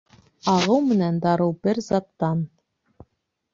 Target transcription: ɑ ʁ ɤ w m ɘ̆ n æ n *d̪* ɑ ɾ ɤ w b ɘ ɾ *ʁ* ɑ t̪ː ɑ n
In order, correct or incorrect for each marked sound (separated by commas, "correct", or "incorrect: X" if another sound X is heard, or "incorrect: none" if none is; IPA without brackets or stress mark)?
correct, incorrect: z